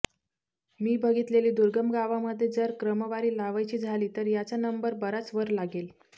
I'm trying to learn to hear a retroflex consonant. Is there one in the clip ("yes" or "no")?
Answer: no